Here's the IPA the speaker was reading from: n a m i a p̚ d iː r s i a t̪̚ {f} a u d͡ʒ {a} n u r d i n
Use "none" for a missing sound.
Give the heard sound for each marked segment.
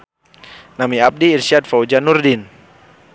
f, a

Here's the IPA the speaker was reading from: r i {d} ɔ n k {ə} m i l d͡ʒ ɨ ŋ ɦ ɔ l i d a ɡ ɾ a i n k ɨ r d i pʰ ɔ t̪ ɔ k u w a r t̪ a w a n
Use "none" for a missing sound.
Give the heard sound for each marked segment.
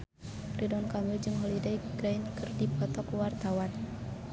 d, a

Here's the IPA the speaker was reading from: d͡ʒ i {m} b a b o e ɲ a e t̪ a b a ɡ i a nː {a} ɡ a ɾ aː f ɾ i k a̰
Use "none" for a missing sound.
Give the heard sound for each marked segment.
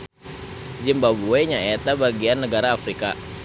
m, ə

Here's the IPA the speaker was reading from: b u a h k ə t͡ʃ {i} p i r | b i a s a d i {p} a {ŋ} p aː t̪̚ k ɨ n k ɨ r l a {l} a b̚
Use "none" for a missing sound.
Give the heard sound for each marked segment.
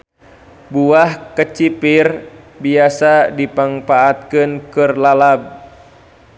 i, p, ŋ, l

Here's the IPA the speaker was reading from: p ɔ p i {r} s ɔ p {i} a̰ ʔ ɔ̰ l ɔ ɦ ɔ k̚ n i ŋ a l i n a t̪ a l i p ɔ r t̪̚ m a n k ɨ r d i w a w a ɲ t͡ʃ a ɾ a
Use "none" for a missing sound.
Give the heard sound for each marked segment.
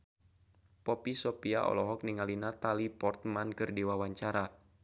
none, i

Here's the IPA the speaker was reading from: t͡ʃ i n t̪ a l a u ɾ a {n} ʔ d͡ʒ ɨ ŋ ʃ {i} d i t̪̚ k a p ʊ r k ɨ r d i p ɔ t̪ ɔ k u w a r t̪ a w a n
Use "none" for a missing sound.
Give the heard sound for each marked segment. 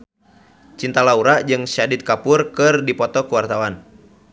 none, a

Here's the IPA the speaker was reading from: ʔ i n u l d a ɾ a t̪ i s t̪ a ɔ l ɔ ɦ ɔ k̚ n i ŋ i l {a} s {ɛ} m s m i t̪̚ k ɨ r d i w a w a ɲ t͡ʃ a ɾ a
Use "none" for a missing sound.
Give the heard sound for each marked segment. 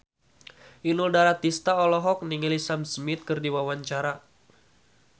i, a

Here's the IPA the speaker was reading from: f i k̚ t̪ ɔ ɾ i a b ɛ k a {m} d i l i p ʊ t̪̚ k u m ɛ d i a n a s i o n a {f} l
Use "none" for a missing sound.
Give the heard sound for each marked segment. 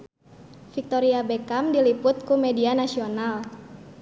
m, none

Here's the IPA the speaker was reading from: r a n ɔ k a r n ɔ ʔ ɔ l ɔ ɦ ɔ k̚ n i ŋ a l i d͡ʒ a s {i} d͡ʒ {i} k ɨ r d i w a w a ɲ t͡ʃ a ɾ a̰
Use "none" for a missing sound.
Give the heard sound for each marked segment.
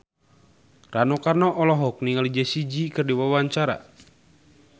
i, i

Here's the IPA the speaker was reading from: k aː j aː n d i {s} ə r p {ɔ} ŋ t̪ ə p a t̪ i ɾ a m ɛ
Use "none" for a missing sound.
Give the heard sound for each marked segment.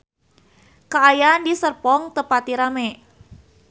s, ɔ

